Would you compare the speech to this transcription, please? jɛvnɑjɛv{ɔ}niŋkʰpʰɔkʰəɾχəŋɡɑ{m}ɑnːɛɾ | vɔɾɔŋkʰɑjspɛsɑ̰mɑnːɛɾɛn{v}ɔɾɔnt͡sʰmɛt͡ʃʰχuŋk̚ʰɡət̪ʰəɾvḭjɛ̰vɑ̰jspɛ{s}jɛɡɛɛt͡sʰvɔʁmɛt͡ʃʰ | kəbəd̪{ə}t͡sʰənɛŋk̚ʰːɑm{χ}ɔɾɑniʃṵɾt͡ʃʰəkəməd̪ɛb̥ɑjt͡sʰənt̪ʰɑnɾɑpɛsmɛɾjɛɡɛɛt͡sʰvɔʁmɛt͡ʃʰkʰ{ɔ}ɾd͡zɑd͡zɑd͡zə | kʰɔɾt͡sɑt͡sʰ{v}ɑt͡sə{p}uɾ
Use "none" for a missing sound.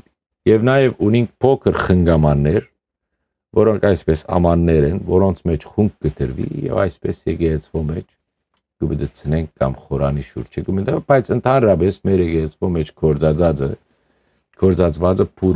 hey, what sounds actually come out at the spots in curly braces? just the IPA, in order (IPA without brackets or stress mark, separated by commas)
u, m, v, s, ə, χ, ɔ, v, pʰ